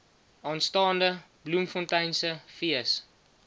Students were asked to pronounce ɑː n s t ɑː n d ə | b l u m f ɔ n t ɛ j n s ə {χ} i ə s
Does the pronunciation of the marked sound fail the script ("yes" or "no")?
yes